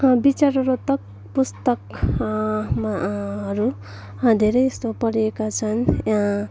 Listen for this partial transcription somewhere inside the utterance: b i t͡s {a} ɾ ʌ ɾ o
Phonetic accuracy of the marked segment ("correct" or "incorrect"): correct